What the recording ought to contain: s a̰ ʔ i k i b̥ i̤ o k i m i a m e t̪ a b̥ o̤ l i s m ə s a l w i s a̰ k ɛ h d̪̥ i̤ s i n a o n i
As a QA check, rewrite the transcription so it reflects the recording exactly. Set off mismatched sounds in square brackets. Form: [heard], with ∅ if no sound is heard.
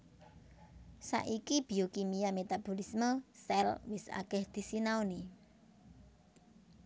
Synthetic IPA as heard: s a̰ ʔ i k i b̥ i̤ o k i m i a m e t̪ a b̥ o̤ l i s m ə s [ɛ] l w [ɪ] s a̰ k ɛ h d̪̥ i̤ s i n a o n i